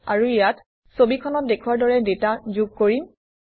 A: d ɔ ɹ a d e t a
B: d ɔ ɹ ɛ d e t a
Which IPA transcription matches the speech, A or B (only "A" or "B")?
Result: B